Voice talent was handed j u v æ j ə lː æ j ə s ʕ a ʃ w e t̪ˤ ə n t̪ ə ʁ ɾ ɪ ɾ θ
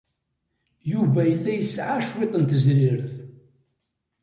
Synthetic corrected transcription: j u v æ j ə lː æ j ə s ʕ a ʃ w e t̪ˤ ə n t̪ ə z ɾ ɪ ɾ θ